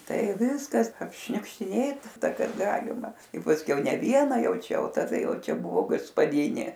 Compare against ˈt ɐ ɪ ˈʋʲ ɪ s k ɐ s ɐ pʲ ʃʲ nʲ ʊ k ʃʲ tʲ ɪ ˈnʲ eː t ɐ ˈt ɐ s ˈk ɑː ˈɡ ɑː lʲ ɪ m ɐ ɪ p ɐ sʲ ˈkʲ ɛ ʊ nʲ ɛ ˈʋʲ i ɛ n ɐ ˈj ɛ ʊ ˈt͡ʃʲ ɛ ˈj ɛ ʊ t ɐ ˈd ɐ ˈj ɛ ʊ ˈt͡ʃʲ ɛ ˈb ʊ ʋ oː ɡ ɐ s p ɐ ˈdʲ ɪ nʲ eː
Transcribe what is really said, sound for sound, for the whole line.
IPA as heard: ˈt ɐ ɪ ˈʋʲ ɪ s k ɐ s ɐ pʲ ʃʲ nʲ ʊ k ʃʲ tʲ ɪ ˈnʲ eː t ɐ ˈt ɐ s ˈk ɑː ˈɡ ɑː lʲ ɪ m ɐ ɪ p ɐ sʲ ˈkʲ ɛ ʊ nʲ ɛ ˈʋʲ i ɛ n ɐ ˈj ɛ ʊ ˈt͡ʃʲ ɛ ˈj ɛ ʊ t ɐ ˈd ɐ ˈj ɛ ʊ ˈt͡ʃʲ ɛ ˈb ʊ ʋ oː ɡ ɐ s p ɐ ˈdʲ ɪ nʲ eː